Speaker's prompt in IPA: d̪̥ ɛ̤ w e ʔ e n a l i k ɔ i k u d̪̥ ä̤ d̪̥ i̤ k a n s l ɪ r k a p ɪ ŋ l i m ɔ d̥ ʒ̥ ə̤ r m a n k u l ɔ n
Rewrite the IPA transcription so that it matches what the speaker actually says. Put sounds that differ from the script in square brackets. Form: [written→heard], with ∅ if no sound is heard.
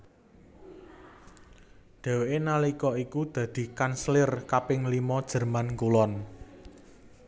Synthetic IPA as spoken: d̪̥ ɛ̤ w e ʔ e n a l i k ɔ i k u d̪̥ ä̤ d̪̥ i̤ k a n s l ɪ r k a p ɪ ŋ l i m ɔ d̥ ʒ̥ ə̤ r m a n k u l ɔ n